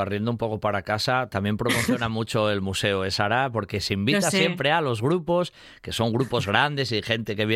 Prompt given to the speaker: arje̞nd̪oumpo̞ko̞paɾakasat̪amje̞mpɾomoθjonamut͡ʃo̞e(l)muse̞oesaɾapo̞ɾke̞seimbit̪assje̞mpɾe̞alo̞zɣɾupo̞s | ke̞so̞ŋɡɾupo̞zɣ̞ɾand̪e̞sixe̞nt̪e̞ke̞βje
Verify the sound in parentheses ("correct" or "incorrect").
correct